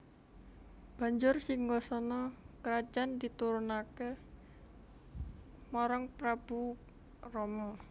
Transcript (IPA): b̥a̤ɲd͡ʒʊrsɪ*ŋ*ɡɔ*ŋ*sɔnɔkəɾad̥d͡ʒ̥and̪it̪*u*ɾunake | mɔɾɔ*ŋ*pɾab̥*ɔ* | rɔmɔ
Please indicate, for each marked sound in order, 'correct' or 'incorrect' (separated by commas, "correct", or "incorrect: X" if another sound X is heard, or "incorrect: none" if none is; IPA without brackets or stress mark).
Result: correct, incorrect: none, correct, correct, incorrect: u